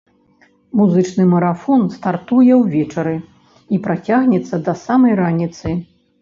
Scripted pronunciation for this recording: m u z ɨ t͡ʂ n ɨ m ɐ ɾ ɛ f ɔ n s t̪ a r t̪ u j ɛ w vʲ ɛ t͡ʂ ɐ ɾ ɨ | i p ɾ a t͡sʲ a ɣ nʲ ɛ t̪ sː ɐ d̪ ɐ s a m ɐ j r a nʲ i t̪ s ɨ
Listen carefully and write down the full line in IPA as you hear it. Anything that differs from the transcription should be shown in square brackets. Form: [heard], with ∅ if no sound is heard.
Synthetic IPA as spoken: m u z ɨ t͡ʂ n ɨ m ɐ ɾ [a] f ɔ n s t̪ a r t̪ u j ɛ w vʲ ɛ t͡ʂ ɐ ɾ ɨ | i p ɾ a t͡sʲ a ɣ nʲ ɛ t̪ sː ɐ d̪ ɐ s a m ɐ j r a nʲ i t̪ s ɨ

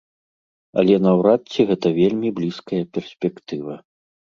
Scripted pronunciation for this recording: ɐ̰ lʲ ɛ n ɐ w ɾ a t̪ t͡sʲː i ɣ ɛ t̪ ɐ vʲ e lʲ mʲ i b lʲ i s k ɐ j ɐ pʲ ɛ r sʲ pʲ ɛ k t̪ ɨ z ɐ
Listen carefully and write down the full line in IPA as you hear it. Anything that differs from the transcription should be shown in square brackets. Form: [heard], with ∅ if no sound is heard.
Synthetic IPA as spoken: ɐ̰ lʲ ɛ n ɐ w ɾ a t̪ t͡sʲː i ɣ ɛ t̪ ɐ vʲ e lʲ mʲ i b lʲ i s k ɐ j ɐ pʲ ɛ r sʲ pʲ ɛ k t̪ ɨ [v] ɐ

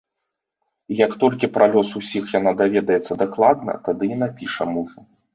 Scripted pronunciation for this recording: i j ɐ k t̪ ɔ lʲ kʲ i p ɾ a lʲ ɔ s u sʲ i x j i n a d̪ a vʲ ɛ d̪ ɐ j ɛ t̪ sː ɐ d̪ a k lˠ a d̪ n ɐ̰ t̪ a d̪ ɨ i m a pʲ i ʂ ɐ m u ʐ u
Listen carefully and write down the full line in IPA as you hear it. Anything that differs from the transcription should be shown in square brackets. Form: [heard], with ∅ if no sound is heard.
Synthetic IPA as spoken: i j ɐ k t̪ ɔ lʲ kʲ i p ɾ a lʲ ɔ s u sʲ i x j [a] n a d̪ a vʲ ɛ d̪ ɐ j ɛ t̪ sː ɐ d̪ a k lˠ a d̪ n ɐ̰ t̪ a d̪ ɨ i [n] a pʲ i ʂ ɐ m u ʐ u

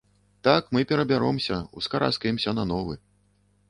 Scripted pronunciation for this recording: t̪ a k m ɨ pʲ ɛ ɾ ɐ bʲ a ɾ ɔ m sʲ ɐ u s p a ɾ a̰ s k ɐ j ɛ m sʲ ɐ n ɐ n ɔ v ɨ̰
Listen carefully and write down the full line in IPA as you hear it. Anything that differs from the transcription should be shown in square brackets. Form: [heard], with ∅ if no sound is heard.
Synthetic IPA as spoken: t̪ a k m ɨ pʲ ɛ ɾ ɐ bʲ a ɾ ɔ m sʲ ɐ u s [k] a ɾ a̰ s k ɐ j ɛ m sʲ ɐ n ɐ n ɔ v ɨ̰

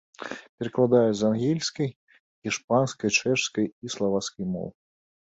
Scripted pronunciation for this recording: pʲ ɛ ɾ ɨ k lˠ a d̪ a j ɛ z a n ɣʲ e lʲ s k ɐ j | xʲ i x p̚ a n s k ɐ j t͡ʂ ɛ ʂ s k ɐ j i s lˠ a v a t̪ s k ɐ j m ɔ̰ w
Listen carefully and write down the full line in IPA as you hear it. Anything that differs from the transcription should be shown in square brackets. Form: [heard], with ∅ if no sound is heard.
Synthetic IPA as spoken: pʲ ɛ ɾ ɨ k lˠ a d̪ a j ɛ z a n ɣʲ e lʲ s k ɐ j | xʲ i [ʂ] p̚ a n s k ɐ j t͡ʂ ɛ ʂ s k ɐ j i s lˠ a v a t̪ s k ɐ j m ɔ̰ w

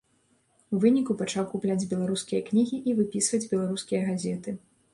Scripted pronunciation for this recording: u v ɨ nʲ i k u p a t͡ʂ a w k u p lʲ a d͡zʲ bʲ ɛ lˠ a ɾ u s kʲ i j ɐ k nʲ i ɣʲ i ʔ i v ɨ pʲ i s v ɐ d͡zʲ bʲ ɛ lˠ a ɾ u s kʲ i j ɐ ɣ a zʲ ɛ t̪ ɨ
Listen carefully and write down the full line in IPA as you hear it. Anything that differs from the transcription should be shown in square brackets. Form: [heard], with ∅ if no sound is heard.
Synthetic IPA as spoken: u v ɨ nʲ i k u p a t͡ʂ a w k u p lʲ a d͡zʲ bʲ ɛ lˠ a ɾ u s kʲ i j ɐ k nʲ i ɣʲ i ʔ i v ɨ pʲ i s v ɐ d͡zʲ bʲ ɛ lˠ a ɾ u s kʲ i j ɐ ɣ a zʲ ɛ t̪ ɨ

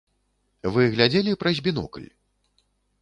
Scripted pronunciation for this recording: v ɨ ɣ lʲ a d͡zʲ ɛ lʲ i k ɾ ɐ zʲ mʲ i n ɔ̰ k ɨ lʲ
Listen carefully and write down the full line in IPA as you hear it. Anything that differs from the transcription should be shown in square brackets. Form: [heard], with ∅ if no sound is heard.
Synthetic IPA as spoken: v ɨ ɣ lʲ a d͡zʲ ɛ lʲ i [p] ɾ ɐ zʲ [bʲ] i n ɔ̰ k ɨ lʲ

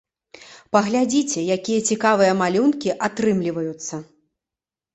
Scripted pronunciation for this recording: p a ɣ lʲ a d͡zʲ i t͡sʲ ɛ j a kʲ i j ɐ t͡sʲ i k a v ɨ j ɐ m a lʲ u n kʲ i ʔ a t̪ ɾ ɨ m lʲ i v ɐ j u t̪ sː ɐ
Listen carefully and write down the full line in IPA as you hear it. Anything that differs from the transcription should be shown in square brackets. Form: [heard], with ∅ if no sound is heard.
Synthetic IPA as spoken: p [ɐ] ɣ lʲ a d͡zʲ i t͡sʲ ɛ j a kʲ i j ɐ t͡sʲ i k a v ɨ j ɐ m a lʲ u n kʲ i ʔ a t̪ ɾ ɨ m lʲ i v ɐ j u t̪ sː ɐ

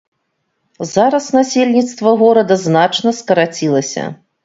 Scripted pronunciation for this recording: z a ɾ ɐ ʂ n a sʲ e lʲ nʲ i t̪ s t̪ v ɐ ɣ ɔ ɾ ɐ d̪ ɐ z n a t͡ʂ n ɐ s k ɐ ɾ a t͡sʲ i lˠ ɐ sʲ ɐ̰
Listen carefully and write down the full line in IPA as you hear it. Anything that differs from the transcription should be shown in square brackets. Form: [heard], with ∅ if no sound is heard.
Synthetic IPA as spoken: z a ɾ ɐ [s] n a sʲ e lʲ nʲ i t̪ s t̪ v ɐ ɣ ɔ ɾ ɐ d̪ ɐ z n a t͡ʂ n ɐ s k ɐ ɾ a t͡sʲ i lˠ ɐ sʲ ɐ̰

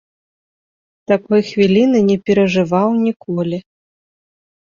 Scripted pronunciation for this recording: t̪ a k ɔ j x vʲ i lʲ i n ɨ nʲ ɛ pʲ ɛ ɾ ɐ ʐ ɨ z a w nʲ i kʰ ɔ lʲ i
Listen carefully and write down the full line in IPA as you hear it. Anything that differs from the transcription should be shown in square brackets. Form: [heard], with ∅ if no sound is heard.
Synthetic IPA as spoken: t̪ a k ɔ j x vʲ i lʲ i n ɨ nʲ ɛ pʲ ɛ ɾ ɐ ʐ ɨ [v] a w nʲ i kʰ ɔ lʲ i

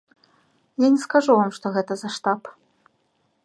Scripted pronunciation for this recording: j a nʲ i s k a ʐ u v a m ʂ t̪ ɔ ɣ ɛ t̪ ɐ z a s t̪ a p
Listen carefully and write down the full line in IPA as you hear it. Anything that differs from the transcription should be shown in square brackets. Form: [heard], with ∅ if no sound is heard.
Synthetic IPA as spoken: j a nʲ [ɛ] s k a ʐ u v a m ʂ t̪ ɔ ɣ ɛ t̪ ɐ z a [ʂ] t̪ a p

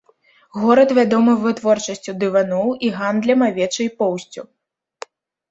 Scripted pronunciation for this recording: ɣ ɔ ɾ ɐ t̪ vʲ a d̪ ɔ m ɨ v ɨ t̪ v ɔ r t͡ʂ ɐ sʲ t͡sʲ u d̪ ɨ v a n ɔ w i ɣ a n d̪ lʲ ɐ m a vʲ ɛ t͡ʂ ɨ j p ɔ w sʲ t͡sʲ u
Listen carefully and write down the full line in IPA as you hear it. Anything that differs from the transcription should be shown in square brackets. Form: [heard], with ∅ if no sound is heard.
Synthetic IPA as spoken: ɣ ɔ ɾ ɐ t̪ vʲ a d̪ ɔ m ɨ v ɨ t̪ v ɔ r t͡ʂ ɐ sʲ t͡sʲ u d̪ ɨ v a n ɔ w i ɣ a n d̪ lʲ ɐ m a vʲ ɛ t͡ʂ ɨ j p ɔ w sʲ t͡sʲ u

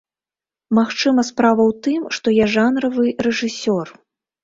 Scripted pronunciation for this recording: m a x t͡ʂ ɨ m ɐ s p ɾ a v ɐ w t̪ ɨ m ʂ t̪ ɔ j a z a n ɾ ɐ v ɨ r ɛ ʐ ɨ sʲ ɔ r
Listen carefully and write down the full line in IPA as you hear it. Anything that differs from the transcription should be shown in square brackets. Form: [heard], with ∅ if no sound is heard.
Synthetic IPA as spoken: m a x t͡ʂ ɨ m ɐ s p ɾ a v ɐ w t̪ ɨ m ʂ t̪ ɔ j a [ʐ] a n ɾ ɐ v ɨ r ɛ ʐ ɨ sʲ ɔ r

